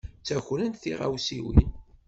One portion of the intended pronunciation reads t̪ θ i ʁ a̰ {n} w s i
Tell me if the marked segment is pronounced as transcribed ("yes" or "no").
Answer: no